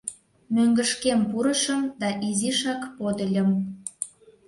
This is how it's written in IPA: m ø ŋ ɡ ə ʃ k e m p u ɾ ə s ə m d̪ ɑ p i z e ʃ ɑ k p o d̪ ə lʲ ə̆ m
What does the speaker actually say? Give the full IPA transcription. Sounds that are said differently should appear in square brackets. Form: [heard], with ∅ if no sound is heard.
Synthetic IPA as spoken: m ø ŋ ɡ ə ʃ k e m p u ɾ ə [ʃ] ə m d̪ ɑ [ʔ] i z [i] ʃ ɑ k p o d̪ ə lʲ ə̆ m

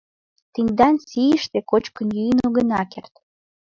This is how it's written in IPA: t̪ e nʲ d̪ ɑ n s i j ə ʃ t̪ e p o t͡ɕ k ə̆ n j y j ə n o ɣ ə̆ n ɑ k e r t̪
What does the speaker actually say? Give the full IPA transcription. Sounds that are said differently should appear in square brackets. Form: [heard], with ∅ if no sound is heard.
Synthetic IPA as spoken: t̪ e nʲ d̪ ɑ n s i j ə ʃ t̪ e [k] o t͡ɕ k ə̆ n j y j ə n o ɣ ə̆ n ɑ k e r t̪

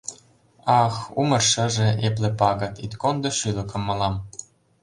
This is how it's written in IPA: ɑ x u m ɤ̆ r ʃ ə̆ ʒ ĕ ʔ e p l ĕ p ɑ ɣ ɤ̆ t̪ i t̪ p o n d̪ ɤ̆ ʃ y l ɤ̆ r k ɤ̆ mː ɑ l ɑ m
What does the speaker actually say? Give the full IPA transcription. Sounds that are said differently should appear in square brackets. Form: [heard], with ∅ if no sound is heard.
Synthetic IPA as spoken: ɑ x u m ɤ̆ r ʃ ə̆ ʒ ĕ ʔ e p l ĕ p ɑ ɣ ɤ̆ t̪ i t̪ [k] o n d̪ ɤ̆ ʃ y l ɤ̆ [∅] k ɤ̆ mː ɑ l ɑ m

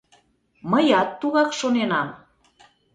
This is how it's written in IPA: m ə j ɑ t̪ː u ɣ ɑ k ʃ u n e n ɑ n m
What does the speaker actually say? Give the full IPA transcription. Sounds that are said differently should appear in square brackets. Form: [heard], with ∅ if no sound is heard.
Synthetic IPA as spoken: m ə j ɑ t̪ː u ɣ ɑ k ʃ [o] n e n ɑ [∅] m

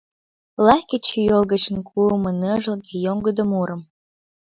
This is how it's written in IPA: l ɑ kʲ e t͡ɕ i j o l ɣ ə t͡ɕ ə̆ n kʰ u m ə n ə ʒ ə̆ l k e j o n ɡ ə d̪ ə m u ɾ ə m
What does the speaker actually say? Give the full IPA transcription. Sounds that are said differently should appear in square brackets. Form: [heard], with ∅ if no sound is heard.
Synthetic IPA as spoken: l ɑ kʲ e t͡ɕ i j o l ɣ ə t͡ɕ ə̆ n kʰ u m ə n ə ʒ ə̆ l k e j o [ŋ] ɡ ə d̪ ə m u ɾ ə m

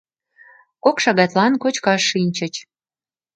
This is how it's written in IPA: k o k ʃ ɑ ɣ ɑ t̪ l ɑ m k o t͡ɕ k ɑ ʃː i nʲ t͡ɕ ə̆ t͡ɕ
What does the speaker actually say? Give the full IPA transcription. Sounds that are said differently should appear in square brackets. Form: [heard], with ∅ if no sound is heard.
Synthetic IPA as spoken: k o k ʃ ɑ ɣ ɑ t̪ l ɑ [n] k o t͡ɕ k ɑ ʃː i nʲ t͡ɕ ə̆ t͡ɕ

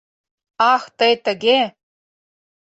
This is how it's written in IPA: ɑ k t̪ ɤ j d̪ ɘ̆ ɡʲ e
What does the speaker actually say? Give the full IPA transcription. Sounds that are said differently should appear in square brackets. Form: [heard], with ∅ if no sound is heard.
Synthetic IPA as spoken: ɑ [x] t̪ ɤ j [t̪] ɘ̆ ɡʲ e

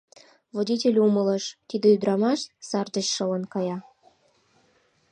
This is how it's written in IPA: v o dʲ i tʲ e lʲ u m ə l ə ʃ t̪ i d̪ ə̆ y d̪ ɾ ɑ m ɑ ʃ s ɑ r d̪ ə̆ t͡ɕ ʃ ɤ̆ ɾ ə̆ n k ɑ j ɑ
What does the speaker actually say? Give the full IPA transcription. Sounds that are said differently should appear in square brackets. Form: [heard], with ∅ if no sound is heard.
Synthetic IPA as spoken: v o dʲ i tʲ e lʲ u m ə l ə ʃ t̪ i d̪ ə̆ y d̪ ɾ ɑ m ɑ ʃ s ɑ r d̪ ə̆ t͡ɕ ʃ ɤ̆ [l] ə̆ n k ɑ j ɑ

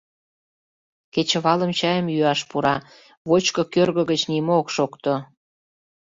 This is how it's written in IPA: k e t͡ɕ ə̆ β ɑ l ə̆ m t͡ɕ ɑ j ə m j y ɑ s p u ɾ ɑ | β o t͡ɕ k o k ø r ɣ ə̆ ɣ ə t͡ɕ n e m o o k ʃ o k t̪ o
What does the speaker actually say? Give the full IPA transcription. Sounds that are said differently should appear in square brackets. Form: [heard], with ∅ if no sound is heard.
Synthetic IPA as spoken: k e t͡ɕ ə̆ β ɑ l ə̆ m t͡ɕ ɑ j ə m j y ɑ [ʃ] p u ɾ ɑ | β o t͡ɕ k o k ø r ɣ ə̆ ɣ ə t͡ɕ n [i] m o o k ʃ o k t̪ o

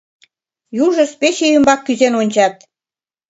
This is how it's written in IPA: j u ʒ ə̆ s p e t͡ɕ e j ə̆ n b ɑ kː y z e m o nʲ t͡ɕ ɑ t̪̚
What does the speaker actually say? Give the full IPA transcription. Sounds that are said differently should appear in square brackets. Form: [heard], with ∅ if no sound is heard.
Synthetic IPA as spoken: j u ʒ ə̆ s p e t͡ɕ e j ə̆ [m] b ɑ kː y z e [n] o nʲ t͡ɕ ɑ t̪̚

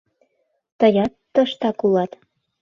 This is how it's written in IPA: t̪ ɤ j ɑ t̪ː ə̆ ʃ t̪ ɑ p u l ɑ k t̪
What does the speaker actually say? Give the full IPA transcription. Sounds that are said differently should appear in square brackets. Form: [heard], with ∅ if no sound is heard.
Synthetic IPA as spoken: t̪ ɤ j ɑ t̪ː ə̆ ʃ t̪ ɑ [k] u l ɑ [∅] t̪

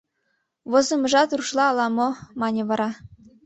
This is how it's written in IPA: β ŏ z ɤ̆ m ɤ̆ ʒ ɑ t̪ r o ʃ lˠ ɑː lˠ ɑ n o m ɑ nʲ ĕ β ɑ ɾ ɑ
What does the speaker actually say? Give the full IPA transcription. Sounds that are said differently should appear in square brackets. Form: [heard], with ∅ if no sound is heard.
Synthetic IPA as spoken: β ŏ z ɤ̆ m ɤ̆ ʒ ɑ t̪ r [u] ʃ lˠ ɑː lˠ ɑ [m] o m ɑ nʲ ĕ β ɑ ɾ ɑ

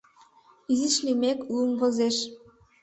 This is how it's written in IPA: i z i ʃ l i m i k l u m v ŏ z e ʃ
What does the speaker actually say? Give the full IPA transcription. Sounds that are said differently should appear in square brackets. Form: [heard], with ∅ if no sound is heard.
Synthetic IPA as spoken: i z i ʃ l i m [e] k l u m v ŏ z e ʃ

